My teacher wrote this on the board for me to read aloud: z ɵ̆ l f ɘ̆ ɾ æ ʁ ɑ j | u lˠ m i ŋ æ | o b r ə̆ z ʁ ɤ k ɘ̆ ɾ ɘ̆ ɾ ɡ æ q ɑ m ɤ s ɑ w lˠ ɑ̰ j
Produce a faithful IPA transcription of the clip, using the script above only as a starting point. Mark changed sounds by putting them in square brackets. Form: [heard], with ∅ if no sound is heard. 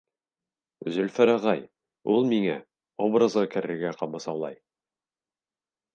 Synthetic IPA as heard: z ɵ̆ l f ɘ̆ ɾ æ ʁ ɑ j | u lˠ m i ŋ æ | o b r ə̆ z ʁ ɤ k ɘ̆ ɾ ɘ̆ ɾ ɡ æ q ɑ m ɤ s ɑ w lˠ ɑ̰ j